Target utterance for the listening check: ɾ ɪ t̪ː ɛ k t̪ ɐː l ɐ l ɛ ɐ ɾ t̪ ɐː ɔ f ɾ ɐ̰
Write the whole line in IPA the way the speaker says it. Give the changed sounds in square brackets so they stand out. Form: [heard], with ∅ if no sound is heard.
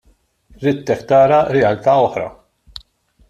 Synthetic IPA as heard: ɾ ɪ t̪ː ɛ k t̪ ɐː [ɾ] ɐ [ɾ] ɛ ɐ [l] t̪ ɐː ɔ [ħ] ɾ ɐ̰